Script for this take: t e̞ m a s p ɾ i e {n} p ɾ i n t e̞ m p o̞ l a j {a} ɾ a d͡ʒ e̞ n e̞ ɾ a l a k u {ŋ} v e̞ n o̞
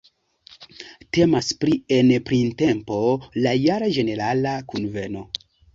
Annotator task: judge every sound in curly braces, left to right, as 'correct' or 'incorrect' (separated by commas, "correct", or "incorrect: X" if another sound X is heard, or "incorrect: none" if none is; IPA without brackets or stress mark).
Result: correct, correct, incorrect: n